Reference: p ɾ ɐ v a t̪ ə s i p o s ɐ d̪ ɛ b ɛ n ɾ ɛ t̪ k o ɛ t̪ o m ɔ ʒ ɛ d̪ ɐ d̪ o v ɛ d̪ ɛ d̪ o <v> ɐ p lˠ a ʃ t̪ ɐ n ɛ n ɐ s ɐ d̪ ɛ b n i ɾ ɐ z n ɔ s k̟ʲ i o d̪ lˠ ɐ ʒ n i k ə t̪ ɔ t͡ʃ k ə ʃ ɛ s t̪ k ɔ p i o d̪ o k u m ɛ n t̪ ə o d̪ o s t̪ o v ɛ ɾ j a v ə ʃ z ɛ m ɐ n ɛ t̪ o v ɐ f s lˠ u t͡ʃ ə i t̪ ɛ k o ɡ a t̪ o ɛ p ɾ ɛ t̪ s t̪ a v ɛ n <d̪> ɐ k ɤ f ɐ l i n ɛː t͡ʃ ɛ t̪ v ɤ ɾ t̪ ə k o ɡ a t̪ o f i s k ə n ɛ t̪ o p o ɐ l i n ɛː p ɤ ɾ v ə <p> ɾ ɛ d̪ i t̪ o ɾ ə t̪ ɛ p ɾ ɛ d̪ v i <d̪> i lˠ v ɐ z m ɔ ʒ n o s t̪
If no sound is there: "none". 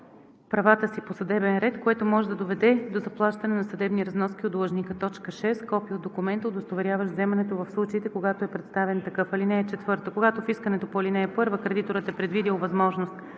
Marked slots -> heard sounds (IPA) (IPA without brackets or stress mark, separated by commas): z, t̪, k, d̪